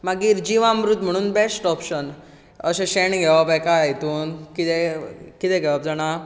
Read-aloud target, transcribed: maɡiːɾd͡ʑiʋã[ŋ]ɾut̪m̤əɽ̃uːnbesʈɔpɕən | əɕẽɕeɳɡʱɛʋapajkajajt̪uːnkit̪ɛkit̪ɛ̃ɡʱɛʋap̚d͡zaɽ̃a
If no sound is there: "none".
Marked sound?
m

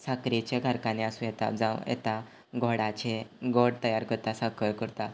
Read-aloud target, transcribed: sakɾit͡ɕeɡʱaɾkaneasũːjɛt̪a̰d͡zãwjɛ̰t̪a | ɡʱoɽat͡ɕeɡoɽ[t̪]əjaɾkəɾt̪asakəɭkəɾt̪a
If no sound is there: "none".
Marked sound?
t̪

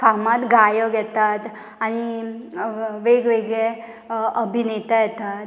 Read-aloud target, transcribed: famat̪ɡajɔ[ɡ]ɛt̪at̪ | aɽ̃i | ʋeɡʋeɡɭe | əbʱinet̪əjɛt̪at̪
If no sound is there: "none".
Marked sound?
ɡ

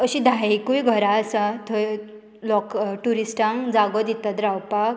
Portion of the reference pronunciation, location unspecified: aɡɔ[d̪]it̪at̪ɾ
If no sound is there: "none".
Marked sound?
d̪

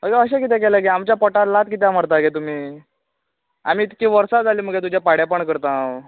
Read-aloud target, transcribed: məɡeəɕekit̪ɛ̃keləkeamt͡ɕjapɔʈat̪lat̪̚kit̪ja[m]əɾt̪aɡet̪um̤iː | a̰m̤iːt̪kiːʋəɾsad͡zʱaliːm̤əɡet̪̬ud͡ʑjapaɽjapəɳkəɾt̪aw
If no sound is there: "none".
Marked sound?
m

